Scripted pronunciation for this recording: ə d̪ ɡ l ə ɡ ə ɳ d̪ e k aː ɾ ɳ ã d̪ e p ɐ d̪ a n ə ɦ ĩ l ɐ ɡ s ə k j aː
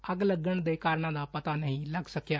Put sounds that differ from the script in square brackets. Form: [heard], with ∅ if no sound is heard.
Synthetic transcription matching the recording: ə [∅] ɡ l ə ɡ ə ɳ d̪ e k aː ɾ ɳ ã d̪ [a] p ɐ [t̪] a n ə ɦ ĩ l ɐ ɡ s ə k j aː